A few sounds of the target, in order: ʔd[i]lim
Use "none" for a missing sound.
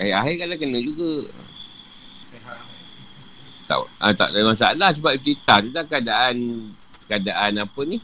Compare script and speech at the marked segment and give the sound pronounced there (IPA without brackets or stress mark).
a